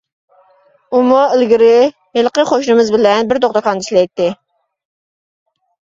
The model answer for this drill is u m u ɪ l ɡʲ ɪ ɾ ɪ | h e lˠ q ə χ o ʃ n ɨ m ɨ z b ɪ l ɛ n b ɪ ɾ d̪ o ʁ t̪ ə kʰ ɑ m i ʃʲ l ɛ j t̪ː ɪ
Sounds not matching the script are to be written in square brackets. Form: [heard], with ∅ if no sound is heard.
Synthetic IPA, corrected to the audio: u m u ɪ l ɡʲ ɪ ɾ ɪ | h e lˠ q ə χ o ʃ n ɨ m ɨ z b ɪ l ɛ n b ɪ ɾ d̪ o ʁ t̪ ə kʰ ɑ [n] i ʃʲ l ɛ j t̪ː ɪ